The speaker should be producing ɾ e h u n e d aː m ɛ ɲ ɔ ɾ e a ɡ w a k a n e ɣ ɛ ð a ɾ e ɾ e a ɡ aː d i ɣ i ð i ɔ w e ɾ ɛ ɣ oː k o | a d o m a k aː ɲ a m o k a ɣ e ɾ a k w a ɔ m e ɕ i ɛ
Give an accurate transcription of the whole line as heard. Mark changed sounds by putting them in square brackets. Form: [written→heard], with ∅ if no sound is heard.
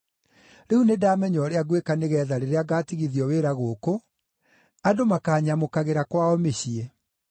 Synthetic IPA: ɾ e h u n e d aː m ɛ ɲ ɔ ɾ e a ɡ w [a→e] k a n e ɣ ɛ ð a ɾ e ɾ e a ɡ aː [d→t] i ɣ i ð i ɔ w e ɾ [ɛ→a] ɣ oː k o | a d o m a k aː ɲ a m o k a ɣ e ɾ a k w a ɔ m e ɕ i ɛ